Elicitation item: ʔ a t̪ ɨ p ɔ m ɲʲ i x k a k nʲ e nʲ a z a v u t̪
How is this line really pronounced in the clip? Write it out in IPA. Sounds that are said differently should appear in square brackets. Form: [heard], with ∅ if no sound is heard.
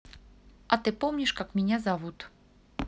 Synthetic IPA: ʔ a t̪ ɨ p ɔ m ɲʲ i [ʂ] k a k [mʲ] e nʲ a z a v u t̪